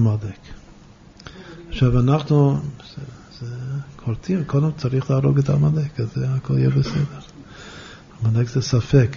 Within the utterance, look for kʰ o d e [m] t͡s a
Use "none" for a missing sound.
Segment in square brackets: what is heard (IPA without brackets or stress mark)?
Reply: m